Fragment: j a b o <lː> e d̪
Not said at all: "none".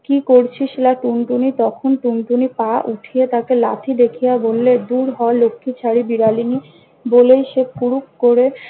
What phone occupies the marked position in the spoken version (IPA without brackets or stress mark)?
lː